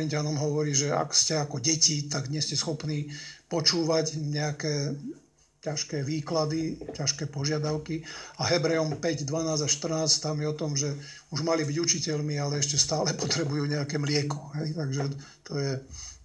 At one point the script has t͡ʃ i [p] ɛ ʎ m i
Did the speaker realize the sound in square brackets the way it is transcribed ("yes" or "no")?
no